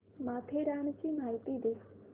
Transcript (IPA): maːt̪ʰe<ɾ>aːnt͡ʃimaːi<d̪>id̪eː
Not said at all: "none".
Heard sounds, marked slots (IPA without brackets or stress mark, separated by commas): ɾ, t̪